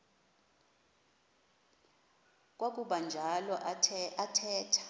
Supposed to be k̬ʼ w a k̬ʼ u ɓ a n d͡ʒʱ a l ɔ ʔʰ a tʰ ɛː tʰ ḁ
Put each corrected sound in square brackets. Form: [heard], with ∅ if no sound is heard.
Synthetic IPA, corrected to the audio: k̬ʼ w a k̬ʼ u ɓ a n d͡ʒʱ a l ɔ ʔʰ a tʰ ɛː tʰ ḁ